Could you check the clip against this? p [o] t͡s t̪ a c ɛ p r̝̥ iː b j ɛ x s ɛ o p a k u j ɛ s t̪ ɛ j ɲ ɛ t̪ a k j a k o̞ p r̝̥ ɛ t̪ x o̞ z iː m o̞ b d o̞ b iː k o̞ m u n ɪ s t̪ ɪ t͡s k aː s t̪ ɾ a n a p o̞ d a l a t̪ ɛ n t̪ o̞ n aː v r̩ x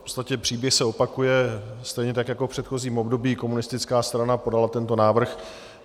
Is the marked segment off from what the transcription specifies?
no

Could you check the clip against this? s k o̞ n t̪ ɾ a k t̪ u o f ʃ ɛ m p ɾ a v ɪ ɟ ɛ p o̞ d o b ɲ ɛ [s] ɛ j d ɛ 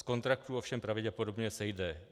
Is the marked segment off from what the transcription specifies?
no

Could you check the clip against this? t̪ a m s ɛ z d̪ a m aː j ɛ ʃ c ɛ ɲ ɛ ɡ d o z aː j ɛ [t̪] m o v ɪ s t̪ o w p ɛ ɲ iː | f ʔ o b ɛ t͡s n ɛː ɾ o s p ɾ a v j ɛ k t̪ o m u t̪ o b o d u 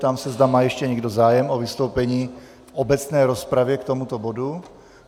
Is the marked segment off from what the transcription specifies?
yes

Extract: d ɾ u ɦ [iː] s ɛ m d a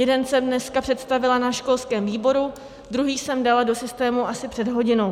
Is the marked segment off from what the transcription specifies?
no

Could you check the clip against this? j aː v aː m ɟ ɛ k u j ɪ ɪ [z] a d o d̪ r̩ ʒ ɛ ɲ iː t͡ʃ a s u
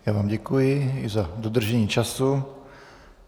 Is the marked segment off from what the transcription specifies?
no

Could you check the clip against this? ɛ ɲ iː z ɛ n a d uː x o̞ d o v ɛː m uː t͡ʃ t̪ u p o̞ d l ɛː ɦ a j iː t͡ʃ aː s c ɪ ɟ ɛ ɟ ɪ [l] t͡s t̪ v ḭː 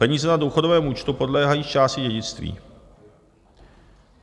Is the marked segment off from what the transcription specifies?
yes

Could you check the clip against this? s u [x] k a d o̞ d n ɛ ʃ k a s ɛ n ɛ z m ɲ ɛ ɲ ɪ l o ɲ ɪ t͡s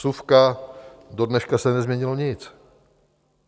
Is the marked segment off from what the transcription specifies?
yes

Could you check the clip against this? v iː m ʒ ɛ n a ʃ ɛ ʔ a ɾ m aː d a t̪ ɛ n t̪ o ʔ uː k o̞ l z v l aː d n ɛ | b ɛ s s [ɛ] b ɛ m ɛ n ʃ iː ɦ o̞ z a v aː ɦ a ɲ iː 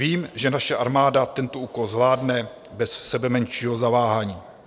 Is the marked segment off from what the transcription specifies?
no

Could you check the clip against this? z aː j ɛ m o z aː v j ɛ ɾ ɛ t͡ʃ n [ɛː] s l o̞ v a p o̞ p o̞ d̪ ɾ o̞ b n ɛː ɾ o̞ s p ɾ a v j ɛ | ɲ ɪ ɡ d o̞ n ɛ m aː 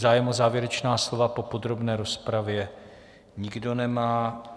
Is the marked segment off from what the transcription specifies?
yes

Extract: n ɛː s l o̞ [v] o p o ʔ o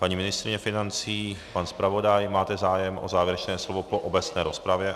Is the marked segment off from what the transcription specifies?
no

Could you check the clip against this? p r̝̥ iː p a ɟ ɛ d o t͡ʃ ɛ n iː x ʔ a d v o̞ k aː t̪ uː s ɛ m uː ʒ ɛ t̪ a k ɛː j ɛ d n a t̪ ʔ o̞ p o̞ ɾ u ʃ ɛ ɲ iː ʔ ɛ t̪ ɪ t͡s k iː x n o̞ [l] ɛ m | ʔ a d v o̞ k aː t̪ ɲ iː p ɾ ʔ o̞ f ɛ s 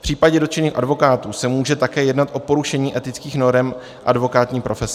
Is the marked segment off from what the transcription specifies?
yes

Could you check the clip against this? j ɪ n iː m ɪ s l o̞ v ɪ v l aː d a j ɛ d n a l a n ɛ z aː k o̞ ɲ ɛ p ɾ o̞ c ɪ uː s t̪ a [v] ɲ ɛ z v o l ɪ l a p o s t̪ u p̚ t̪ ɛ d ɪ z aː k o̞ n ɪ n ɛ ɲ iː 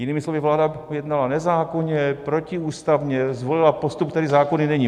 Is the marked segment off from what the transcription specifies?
no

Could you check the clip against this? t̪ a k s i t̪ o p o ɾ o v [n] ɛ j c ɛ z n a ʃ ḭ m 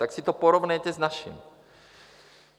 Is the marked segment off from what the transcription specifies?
no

